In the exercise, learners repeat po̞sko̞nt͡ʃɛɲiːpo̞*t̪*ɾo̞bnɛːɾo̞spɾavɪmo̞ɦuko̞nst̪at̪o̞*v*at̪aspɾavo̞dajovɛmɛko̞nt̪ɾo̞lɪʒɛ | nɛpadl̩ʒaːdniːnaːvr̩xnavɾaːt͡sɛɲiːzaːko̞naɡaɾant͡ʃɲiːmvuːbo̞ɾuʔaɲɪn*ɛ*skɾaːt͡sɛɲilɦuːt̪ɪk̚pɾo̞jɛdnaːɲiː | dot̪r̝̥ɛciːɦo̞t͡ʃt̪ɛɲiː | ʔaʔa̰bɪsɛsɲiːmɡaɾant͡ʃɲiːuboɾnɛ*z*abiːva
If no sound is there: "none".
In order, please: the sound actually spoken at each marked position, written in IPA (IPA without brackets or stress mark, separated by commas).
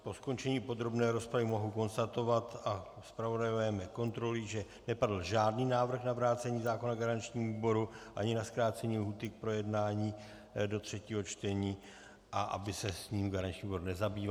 d̪, v, a, z